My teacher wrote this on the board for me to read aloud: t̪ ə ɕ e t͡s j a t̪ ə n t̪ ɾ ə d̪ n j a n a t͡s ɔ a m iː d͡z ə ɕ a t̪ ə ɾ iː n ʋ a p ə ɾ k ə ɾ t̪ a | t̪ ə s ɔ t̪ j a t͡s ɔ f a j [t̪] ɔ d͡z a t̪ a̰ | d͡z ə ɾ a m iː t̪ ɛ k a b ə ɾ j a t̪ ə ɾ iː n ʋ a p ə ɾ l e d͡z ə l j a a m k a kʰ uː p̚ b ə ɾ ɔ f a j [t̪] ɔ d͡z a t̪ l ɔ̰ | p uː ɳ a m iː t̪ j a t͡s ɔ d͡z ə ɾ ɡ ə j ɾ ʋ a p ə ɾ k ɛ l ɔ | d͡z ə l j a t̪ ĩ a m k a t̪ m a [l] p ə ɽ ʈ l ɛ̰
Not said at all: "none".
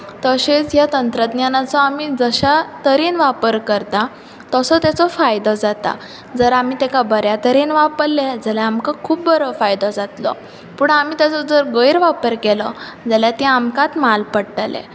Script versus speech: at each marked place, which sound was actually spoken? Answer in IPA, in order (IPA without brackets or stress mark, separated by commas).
d̪, d̪, l